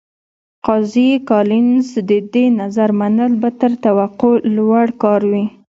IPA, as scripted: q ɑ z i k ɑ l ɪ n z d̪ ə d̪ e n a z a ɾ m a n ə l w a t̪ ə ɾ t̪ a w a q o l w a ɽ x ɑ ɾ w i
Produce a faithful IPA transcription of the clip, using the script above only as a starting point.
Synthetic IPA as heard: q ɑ z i k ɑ l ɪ n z d̪ ə d̪ e n a z a ɾ m a n ə l b a t̪ ə ɾ t̪ a w a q o l w a ɽ k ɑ ɾ w i

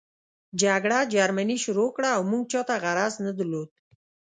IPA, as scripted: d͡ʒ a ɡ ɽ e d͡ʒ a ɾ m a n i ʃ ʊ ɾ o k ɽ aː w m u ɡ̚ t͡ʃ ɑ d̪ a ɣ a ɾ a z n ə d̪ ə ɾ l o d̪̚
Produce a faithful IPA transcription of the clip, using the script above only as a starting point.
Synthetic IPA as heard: d͡ʒ a ɡ ɽ a d͡ʒ a ɾ m a n i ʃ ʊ ɾ o k ɽ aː w m u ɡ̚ t͡ʃ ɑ t̪ a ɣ a ɾ a z n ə d̪ ə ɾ l o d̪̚

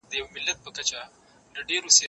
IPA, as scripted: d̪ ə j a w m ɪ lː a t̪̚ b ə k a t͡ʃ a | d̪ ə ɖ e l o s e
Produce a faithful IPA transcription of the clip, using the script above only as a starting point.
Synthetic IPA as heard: d̪ ə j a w m ɪ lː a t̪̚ p ə k a t͡ʃ a | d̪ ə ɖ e ɾ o s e

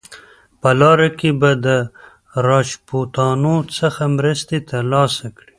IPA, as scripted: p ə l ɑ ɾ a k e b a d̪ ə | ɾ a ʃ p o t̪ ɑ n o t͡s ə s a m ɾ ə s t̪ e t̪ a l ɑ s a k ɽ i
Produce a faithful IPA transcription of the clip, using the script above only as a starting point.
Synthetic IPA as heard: p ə l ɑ ɾ a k e b a d̪ ə | ɾ ɑ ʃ p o t̪ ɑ n o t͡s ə x a m ɾ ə s t̪ e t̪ a l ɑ s a k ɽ i

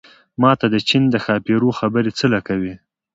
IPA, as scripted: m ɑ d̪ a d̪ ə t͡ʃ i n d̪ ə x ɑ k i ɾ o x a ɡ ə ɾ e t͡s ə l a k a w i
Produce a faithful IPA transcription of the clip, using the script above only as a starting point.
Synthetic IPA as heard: m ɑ t̪ a d̪ ə t͡ʃ i n d̪ ə x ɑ p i ɾ o x a b ə ɾ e t͡s ə l a k a w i

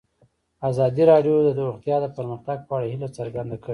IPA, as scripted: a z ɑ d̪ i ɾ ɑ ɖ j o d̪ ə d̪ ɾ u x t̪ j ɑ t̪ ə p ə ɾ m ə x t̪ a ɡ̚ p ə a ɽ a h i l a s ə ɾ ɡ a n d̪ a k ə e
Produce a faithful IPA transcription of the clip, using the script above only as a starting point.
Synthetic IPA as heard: a z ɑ d̪ i ɾ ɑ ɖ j o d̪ ə d̪ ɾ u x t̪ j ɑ d̪ ə p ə ɾ m ə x t̪ a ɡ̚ p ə a ɽ a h i l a t͡s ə ɾ ɡ a n d̪ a k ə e

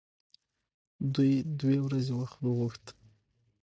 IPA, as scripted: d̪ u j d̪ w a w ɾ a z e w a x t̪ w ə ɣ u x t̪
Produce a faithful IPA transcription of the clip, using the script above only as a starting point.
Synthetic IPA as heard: d̪ u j d̪ w e w ɾ a z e w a x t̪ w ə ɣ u x t̪

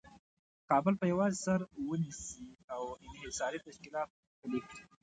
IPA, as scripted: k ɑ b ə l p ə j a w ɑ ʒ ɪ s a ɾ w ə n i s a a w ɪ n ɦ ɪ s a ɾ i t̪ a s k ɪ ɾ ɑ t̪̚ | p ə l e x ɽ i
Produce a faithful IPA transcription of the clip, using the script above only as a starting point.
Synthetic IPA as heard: k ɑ b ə l p ə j a w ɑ z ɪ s a ɾ w ə n i s i a w ɪ n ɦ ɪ s ɑ ɾ i t̪ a ʃ k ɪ l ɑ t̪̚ | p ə l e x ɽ i

